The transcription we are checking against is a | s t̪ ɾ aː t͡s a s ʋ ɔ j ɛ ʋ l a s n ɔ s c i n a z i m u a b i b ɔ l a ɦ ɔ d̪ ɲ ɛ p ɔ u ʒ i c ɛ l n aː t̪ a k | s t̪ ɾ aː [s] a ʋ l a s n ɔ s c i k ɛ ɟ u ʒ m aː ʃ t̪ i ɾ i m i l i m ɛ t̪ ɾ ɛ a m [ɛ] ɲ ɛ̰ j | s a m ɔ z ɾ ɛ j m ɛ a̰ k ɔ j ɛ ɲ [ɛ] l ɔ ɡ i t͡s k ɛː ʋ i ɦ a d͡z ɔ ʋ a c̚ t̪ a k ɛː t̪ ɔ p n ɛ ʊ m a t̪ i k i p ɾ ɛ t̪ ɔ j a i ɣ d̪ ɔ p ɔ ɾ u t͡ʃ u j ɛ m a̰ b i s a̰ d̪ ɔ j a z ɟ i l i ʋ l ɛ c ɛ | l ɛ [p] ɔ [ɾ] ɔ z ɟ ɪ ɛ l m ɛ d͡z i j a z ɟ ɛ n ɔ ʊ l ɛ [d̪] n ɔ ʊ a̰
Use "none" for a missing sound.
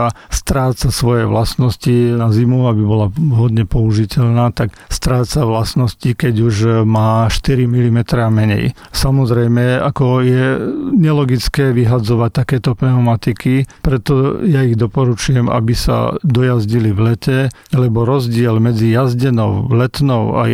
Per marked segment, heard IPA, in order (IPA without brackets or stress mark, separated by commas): t͡s, ɛ, ɛ, b, ɾ, t̪